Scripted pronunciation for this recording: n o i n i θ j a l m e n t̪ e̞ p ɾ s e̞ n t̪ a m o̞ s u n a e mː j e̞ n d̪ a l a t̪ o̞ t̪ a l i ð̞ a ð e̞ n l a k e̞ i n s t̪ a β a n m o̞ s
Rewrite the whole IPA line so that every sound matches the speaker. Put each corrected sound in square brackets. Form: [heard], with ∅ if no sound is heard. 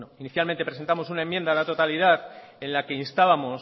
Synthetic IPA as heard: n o i n i θ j a l m e n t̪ e̞ p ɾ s e̞ n t̪ a m o̞ s u n a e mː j e̞ n d̪ a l a t̪ o̞ t̪ a l i ð̞ a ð e̞ n l a k e̞ i n s t̪ a β a [∅] m o̞ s